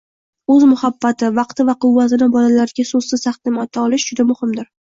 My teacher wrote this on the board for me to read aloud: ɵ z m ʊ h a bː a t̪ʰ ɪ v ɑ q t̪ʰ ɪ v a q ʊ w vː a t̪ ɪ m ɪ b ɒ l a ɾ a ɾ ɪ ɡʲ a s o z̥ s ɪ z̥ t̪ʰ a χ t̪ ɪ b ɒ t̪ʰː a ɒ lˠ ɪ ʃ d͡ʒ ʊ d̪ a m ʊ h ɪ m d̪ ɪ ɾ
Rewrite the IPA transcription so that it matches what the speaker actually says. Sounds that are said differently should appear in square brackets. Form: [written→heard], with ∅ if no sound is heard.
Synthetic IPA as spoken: ɵ z m ʊ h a bː a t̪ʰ ɪ v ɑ q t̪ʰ ɪ v a q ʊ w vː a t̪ ɪ [m→n] ɪ b ɒ l a [ɾ→l] a ɾ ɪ ɡʲ a s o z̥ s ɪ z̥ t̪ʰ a χ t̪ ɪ [b→m] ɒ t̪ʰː a ɒ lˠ ɪ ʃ d͡ʒ ʊ d̪ a m ʊ h ɪ m d̪ ɪ ɾ

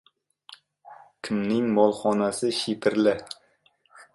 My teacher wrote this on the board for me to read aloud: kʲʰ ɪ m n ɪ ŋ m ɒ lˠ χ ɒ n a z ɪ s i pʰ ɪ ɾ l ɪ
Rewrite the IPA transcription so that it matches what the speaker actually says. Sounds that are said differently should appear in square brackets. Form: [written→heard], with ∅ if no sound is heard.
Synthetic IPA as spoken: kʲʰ ɪ m n ɪ ŋ m ɒ lˠ χ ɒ n a [z→s] ɪ [s→ʃ] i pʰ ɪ ɾ l ɪ

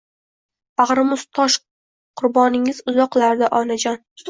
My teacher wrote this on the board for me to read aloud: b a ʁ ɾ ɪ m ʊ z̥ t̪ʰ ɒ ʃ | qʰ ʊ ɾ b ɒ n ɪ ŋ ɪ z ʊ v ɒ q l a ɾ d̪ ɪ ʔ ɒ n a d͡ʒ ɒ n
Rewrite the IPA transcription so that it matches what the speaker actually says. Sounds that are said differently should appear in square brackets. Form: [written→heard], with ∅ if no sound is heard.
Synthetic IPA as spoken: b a ʁ ɾ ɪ m ʊ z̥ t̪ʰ ɒ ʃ | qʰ ʊ ɾ b ɒ n ɪ ŋ ɪ z ʊ [v→z] ɒ q l a ɾ d̪ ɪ ʔ ɒ n a d͡ʒ ɒ n

